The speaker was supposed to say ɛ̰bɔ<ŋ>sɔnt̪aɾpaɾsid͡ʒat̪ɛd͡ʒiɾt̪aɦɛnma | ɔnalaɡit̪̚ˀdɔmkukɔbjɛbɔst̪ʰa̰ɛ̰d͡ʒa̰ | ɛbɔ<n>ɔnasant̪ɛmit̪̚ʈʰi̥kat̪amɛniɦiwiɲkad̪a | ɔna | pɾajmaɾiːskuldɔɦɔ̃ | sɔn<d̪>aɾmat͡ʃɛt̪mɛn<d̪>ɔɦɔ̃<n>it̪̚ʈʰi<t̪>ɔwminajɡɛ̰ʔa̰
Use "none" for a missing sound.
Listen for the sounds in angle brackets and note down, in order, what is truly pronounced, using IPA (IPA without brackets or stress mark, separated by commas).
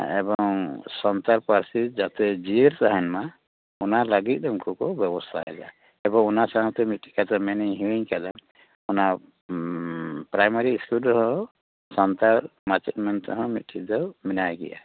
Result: ŋ, ŋ, t̪, t̪, m, d̪